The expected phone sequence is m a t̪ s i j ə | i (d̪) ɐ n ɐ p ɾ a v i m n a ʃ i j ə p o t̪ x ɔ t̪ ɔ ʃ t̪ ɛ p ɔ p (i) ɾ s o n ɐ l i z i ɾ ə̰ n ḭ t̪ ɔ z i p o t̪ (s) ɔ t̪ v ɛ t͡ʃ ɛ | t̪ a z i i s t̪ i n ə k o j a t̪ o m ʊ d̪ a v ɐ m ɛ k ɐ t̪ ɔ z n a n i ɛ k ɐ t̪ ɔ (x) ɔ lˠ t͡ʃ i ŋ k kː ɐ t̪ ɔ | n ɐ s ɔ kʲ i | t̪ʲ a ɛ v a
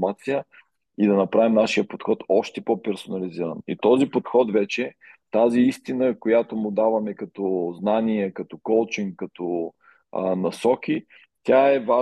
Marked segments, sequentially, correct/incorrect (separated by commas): correct, incorrect, incorrect, incorrect